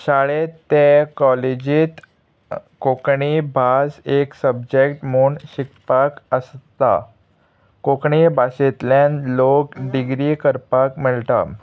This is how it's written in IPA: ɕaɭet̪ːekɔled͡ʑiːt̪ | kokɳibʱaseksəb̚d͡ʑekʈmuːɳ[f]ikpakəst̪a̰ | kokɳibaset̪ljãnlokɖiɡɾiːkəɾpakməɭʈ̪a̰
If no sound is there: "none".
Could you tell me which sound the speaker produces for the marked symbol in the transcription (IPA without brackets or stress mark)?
ɕ